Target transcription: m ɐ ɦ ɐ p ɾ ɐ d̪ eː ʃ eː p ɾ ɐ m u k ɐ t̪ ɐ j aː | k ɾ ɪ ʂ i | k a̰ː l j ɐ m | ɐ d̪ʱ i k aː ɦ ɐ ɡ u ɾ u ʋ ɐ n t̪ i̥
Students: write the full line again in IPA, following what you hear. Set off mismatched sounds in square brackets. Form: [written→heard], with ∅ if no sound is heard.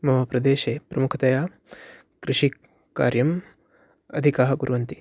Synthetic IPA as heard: m ɐ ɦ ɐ p ɾ ɐ d̪ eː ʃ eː p ɾ ɐ m u [k→kʰ] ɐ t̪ ɐ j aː | k ɾ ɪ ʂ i | k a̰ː [l→ɾ] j ɐ m | ɐ d̪ʱ i k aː ɦ ɐ ɡ u ɾ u ʋ ɐ n t̪ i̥